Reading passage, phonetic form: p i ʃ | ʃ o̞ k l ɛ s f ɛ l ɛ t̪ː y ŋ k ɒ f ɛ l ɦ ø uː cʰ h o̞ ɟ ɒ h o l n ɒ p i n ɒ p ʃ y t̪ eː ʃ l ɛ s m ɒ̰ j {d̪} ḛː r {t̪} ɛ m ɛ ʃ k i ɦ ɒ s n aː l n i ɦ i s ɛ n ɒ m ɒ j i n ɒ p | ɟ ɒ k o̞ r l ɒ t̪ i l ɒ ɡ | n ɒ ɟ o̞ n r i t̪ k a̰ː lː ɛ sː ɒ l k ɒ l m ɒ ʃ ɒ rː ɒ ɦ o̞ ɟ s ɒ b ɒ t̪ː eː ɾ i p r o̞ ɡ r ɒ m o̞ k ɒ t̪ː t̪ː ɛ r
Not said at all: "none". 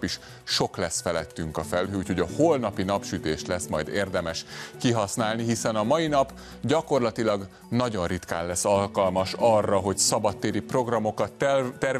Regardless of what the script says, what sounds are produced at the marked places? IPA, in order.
d̪, d̪

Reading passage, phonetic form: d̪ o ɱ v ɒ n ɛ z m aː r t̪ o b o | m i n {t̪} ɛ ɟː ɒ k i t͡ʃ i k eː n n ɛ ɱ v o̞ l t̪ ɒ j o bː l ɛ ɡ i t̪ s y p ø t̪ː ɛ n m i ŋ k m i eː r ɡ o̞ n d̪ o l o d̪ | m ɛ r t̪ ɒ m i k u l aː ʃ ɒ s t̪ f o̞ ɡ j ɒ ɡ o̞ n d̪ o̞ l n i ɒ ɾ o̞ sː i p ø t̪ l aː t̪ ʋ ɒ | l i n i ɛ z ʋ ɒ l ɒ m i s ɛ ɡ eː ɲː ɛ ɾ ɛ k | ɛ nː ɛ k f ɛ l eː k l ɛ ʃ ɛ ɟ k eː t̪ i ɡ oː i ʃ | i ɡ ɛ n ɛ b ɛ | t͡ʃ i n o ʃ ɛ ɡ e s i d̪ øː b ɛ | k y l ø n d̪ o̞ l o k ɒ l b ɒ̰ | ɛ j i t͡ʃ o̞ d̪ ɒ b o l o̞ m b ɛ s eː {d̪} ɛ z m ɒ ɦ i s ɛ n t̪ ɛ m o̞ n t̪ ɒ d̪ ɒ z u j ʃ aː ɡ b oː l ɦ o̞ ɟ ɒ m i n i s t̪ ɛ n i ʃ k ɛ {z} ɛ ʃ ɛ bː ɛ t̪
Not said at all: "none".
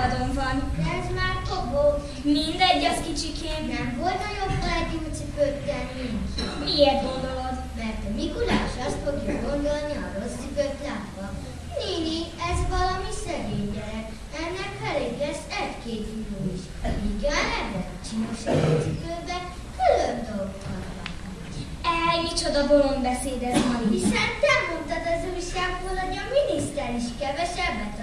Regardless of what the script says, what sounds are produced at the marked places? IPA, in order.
d̪, d̪, v

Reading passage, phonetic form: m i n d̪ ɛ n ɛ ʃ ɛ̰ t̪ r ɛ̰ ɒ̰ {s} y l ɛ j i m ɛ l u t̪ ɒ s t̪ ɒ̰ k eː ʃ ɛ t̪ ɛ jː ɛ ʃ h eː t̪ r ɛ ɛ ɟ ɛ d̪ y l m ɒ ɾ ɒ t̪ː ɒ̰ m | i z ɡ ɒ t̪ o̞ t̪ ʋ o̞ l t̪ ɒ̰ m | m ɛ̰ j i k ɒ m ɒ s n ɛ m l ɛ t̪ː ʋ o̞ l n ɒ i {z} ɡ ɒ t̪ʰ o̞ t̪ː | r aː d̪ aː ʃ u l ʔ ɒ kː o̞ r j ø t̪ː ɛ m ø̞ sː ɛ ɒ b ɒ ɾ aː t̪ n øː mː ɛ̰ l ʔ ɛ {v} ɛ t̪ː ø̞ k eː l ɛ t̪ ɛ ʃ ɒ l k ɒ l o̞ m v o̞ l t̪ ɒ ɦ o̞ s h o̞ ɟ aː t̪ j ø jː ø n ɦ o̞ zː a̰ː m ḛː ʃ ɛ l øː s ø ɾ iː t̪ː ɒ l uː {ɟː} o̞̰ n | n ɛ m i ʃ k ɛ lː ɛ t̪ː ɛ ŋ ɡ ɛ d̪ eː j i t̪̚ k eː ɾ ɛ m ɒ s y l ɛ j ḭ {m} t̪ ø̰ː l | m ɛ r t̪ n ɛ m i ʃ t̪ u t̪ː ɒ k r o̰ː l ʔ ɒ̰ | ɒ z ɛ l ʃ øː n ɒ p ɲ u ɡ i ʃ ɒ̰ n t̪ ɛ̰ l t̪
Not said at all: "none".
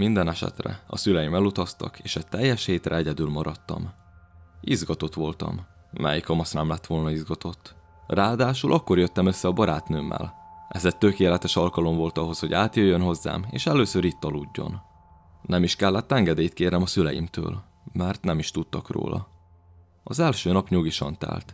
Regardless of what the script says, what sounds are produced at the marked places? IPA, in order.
s, z, z, ɟː, m

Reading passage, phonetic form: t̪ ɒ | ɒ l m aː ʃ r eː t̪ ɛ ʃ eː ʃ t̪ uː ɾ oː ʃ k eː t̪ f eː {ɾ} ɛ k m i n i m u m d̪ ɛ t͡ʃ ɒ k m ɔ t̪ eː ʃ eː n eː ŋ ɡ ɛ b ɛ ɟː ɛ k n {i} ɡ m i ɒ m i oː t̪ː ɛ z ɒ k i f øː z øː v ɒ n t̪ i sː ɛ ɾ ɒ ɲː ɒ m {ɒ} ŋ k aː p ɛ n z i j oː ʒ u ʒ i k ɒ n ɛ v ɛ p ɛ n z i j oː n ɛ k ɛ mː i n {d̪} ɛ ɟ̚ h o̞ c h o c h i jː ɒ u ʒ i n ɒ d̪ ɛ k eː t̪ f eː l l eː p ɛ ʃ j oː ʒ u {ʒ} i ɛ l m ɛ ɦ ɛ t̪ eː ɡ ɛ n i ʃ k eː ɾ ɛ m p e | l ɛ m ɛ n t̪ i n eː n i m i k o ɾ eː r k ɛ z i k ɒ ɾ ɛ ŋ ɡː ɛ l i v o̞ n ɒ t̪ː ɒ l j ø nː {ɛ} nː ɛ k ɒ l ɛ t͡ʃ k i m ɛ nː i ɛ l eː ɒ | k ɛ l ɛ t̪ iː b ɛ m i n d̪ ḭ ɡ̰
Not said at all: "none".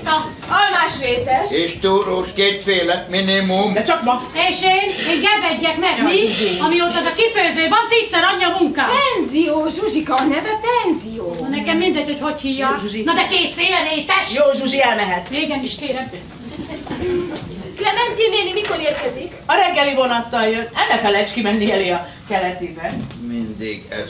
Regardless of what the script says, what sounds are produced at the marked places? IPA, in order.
l, ɛ, u, d̪, ʒ, ɛ

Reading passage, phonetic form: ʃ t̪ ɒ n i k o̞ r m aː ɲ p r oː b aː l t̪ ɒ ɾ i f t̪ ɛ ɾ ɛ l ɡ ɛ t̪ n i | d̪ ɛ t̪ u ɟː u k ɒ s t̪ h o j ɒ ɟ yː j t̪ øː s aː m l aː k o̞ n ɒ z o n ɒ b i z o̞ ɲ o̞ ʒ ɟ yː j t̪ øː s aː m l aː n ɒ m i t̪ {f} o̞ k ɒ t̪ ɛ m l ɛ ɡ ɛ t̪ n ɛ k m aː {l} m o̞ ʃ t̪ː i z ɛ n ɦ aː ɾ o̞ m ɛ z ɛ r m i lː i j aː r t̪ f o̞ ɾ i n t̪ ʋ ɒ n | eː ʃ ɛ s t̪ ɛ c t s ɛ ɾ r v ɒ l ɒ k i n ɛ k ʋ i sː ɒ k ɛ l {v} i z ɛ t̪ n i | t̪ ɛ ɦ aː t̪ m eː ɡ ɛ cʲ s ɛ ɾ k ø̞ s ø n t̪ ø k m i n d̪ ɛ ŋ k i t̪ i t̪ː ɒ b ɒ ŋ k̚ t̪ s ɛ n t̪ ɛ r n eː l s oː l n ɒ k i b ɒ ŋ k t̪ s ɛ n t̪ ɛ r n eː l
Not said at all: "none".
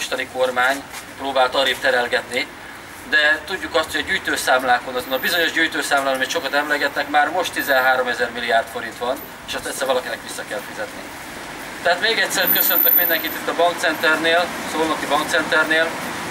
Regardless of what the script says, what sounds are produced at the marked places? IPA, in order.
ʃ, r, f

